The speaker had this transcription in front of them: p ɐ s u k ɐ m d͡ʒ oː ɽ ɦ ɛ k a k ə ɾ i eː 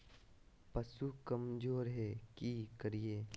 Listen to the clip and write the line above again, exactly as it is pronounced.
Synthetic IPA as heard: p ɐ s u k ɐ m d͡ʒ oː ɾ ɦ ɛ k i k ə ɾ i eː